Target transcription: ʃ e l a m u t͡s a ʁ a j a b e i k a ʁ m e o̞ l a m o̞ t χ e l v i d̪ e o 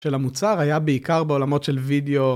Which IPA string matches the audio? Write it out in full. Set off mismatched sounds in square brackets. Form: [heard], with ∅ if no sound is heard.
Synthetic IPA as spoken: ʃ e l a m u t͡s a ʁ a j a b e i k a ʁ [b] e o̞ l a m o̞ t [ʃ] e l v i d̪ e o